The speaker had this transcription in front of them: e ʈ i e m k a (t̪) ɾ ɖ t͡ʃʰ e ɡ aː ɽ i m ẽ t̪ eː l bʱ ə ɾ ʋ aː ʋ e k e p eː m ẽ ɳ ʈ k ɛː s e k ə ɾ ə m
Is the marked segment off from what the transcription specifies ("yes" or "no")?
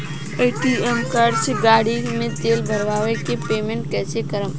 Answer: yes